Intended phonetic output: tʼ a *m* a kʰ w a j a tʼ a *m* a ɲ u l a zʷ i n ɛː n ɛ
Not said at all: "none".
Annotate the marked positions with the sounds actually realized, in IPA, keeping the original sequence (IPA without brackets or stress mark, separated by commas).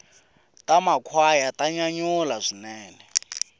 m, ɲ